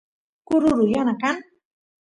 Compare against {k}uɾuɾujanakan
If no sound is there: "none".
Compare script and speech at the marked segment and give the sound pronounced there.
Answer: k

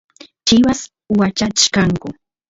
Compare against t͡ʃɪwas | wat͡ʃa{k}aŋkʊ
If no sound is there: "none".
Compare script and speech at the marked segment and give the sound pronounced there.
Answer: k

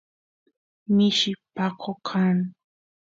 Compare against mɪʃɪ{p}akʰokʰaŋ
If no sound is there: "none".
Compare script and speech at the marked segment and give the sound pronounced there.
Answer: p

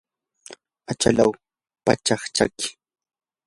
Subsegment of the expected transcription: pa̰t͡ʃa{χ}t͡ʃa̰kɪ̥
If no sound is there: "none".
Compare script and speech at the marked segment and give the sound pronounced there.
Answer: χ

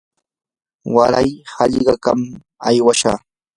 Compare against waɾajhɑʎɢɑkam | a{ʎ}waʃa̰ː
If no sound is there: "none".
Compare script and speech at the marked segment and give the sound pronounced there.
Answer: j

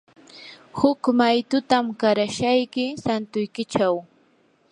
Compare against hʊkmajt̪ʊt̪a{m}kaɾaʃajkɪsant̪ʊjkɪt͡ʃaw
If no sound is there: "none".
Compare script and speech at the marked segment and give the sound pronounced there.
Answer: m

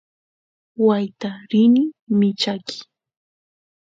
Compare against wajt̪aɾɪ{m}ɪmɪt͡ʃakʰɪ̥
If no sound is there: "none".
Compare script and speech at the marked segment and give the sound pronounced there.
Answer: n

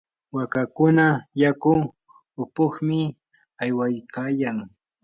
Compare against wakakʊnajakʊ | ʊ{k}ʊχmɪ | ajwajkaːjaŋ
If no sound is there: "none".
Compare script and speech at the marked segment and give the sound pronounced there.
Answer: p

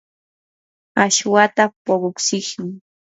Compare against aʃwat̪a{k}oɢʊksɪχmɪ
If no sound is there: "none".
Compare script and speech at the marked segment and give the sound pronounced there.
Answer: p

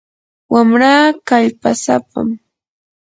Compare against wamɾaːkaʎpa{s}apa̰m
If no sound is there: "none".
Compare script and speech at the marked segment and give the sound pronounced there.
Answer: s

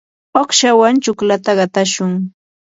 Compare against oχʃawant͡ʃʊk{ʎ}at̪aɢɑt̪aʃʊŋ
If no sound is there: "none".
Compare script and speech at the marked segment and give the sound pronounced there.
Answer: l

